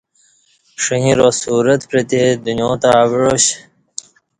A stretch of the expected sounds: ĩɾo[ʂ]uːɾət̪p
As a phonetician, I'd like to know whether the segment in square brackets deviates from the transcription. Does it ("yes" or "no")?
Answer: yes